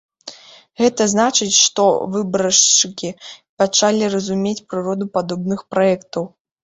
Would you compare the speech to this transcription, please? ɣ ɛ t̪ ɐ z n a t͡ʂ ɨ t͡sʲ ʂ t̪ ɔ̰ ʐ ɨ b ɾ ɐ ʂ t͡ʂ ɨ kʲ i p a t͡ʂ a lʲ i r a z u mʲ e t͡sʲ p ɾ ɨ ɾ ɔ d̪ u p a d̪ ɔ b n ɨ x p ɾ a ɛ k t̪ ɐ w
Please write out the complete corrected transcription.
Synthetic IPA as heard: ɣ ɛ t̪ ɐ z n a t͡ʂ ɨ t͡sʲ ʂ t̪ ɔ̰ v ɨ b ɾ ɐ ʂ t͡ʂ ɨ kʲ i p a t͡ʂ a lʲ i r ɐ z u mʲ e t͡sʲ p ɾ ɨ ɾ ɔ d̪ u p a d̪ ɔ b n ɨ x p ɾ a ɛ k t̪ ɐ w